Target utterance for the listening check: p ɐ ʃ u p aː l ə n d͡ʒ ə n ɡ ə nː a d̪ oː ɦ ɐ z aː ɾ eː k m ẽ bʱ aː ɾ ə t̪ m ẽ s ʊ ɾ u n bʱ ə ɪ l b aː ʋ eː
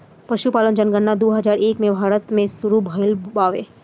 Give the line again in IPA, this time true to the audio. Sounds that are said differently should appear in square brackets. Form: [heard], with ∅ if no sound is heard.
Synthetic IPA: p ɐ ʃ u p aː l ə n d͡ʒ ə n ɡ ə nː a d̪ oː ɦ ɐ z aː ɾ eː k m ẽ bʱ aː ɾ ə t̪ m ẽ s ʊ ɾ u [∅] bʱ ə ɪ l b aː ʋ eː